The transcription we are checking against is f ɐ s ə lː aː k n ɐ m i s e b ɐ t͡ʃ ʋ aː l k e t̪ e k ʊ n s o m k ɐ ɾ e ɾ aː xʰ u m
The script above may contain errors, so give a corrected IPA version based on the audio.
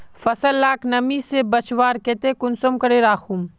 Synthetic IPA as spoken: f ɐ s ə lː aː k n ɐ m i s e b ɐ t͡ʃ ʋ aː ɾ k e t̪ e k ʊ n s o m k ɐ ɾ e ɾ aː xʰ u m